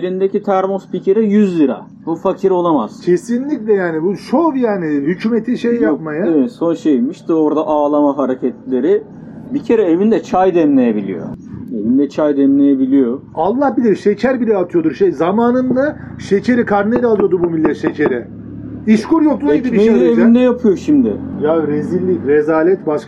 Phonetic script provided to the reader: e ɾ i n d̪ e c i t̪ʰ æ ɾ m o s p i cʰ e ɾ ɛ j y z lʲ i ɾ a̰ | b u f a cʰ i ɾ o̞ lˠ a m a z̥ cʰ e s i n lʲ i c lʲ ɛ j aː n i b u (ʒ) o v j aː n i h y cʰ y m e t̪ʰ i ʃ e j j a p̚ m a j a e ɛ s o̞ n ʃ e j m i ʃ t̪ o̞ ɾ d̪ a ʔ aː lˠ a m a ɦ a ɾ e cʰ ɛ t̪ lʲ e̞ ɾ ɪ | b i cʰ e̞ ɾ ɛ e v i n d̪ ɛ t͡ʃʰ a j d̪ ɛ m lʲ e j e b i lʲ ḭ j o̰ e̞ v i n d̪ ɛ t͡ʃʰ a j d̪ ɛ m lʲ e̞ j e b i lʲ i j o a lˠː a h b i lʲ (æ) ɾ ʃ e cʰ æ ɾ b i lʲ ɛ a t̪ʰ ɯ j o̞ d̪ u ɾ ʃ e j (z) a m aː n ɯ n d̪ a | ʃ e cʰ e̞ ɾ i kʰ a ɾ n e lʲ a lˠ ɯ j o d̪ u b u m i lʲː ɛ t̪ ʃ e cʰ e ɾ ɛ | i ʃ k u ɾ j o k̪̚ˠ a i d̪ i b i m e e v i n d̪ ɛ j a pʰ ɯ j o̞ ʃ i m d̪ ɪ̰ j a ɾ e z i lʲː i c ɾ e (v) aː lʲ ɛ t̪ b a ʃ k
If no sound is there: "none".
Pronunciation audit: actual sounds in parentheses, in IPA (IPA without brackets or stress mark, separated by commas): ʃ, i, z, z